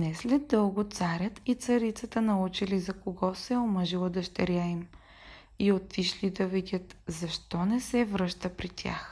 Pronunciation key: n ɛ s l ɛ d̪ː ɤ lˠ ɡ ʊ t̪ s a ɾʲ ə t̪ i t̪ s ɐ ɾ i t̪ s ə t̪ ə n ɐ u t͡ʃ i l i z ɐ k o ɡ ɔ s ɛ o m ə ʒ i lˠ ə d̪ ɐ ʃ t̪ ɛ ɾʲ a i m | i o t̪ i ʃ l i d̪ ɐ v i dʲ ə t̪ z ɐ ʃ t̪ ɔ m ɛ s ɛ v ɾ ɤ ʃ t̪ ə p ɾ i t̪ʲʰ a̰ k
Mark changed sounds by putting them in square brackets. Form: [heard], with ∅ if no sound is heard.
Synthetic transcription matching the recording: n ɛ s l ɛ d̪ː ɤ lˠ ɡ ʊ t̪ s a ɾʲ ə t̪ i t̪ s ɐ ɾ i t̪ s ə t̪ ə n ɐ u t͡ʃ i l i z ɐ k o ɡ ɔ s ɛ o m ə ʒ i lˠ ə d̪ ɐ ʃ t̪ ɛ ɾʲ a i m | i o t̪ i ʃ l i d̪ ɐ v i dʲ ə t̪ z ɐ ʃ t̪ ɔ [n] ɛ s ɛ v ɾ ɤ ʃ t̪ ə p ɾ i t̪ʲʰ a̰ [x]